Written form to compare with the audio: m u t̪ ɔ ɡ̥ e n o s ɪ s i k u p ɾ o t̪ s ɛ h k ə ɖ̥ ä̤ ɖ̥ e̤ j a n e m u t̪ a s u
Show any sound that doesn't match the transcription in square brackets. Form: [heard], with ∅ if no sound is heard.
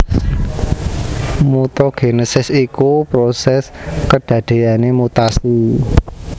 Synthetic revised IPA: m u t̪ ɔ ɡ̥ e n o s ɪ s i k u p ɾ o [∅] s ɛ [s] k ə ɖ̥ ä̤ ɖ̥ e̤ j a n e m u t̪ a s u